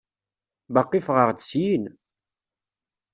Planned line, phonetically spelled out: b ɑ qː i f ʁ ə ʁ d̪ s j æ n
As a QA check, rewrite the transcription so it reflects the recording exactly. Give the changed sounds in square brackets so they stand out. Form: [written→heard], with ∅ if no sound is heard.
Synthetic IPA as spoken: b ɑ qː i f ʁ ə ʁ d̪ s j [æ→i] n